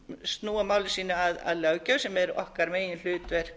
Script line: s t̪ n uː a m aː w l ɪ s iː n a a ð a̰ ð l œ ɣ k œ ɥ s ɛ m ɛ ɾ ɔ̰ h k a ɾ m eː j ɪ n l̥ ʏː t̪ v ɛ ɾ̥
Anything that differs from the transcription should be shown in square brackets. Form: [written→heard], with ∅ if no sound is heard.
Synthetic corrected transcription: s t̪ n uː a m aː w l ɪ s iː n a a ð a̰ ð l œ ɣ [k→c] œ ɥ s ɛ m ɛ ɾ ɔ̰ h k a ɾ m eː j ɪ n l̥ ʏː t̪ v ɛ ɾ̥

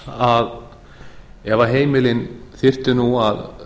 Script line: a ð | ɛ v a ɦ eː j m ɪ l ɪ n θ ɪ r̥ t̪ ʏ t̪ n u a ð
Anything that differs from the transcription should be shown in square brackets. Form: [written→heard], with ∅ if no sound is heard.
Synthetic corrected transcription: a ð | ɛ v a ɦ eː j m ɪ l ɪ n θ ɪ r̥ t̪ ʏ [t̪→∅] n u a ð

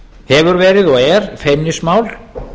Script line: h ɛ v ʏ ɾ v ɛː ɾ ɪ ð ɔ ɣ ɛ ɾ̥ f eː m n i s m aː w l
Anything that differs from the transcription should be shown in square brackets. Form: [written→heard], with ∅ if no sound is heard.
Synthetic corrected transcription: h ɛ v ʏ ɾ v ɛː ɾ ɪ ð ɔ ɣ ɛ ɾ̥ f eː m n [i→ɪ] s m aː w l

